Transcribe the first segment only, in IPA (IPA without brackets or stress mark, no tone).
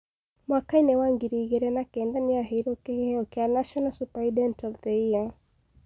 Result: m